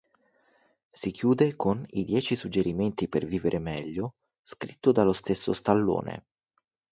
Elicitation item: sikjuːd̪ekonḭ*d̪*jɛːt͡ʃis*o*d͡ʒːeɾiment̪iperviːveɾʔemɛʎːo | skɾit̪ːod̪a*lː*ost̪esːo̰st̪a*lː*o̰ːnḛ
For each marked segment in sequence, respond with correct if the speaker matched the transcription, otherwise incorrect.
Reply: correct, incorrect: u, incorrect: l, correct

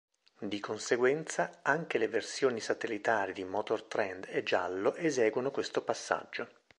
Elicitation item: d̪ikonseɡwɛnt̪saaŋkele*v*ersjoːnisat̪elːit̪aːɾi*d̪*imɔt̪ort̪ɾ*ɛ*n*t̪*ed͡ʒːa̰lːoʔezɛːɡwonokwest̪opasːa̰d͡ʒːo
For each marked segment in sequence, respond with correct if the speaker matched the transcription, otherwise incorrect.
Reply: correct, correct, correct, incorrect: d̪

